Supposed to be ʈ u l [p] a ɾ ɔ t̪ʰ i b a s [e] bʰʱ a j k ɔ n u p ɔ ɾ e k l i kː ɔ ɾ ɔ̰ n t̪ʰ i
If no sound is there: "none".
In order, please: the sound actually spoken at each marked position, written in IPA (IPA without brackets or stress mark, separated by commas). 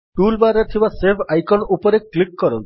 b, e